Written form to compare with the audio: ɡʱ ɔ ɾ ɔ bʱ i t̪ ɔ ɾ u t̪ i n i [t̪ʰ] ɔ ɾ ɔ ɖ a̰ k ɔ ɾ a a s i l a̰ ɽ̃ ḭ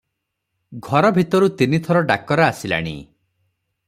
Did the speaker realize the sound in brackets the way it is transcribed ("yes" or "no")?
yes